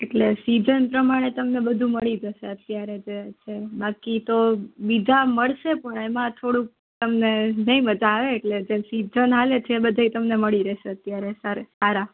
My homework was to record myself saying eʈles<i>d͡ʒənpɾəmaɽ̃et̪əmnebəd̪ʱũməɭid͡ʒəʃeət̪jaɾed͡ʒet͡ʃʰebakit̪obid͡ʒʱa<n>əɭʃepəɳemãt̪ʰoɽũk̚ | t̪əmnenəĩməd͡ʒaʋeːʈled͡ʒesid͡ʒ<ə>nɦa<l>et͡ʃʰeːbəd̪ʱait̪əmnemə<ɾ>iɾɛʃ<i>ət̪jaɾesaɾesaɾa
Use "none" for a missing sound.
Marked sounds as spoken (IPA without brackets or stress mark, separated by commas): i, m, ə, l, ɭ, e